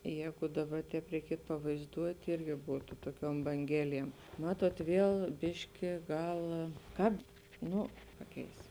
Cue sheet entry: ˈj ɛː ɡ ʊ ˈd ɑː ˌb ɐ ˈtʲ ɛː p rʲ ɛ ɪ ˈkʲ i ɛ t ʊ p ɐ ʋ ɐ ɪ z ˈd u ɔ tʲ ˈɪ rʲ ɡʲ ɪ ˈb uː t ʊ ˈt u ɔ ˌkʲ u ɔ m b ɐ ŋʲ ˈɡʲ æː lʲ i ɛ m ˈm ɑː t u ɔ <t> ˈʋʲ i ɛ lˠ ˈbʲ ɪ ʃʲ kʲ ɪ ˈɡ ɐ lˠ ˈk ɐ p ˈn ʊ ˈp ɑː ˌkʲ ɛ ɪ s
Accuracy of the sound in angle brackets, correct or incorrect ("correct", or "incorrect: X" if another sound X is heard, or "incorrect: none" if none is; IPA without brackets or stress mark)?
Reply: correct